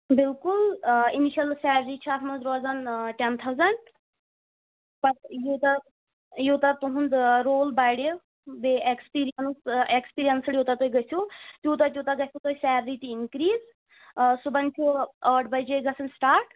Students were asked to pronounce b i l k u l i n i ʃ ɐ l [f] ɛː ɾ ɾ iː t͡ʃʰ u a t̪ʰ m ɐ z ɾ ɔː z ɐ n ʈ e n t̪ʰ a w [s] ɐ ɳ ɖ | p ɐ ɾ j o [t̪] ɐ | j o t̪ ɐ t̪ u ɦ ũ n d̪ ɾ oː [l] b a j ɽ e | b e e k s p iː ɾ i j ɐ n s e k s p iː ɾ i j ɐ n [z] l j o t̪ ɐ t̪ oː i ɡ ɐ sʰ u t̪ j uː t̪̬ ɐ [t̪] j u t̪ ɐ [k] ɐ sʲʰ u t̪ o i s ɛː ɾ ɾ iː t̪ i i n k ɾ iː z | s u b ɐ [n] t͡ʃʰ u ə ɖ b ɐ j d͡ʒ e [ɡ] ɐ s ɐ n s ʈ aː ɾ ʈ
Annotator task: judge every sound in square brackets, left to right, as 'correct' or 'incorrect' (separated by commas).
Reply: incorrect, incorrect, correct, correct, incorrect, correct, incorrect, correct, correct